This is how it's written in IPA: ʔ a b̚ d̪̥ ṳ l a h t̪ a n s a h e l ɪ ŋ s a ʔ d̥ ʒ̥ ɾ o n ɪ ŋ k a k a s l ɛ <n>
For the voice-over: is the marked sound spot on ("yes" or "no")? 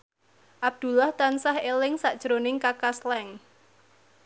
no